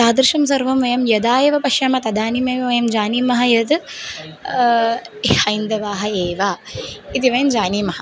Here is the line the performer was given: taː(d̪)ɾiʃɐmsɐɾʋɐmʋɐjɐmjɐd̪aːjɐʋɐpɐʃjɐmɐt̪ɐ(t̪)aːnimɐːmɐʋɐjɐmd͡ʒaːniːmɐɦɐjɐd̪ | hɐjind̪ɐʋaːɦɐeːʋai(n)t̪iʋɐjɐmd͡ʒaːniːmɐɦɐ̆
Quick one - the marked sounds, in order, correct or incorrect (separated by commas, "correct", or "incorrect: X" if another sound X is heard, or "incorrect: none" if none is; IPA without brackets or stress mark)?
correct, incorrect: d̪, incorrect: none